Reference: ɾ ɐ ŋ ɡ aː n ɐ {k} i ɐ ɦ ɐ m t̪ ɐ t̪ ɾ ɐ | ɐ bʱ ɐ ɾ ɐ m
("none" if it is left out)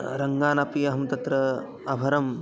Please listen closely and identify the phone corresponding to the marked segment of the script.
p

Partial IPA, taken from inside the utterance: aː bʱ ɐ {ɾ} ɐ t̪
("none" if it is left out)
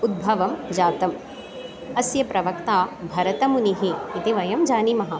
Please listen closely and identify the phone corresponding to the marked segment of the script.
ɾ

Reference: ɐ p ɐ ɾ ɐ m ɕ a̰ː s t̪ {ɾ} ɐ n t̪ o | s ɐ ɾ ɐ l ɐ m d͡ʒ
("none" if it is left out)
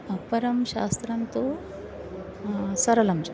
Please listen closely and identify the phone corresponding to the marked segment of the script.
ɾ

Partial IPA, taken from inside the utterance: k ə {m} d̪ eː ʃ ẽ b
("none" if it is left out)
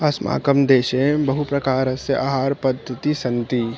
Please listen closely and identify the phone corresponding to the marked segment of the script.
m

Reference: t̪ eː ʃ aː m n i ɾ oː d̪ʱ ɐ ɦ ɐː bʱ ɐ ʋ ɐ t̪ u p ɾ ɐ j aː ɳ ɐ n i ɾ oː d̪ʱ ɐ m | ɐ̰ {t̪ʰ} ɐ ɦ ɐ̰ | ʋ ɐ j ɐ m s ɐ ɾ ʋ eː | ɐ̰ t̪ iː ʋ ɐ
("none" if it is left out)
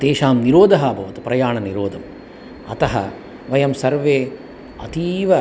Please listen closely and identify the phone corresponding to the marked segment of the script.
t̪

